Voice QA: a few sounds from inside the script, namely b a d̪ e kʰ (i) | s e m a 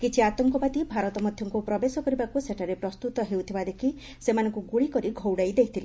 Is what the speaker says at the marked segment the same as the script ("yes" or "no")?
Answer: yes